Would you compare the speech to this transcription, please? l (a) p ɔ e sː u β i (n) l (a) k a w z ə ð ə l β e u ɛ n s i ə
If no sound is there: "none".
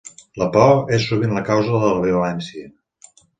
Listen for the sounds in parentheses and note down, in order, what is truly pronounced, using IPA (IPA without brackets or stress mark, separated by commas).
ə, n, ə